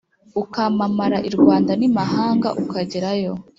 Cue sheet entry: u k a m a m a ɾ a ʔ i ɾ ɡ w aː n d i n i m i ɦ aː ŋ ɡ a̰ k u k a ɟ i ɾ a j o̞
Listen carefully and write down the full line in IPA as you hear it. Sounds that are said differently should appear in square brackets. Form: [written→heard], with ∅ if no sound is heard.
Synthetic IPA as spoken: u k a m a m a ɾ a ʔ i ɾ ɡ w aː n d [i→a] n i m [i→a] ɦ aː ŋ ɡ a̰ [k→ʔ] u k a ɟ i ɾ a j o̞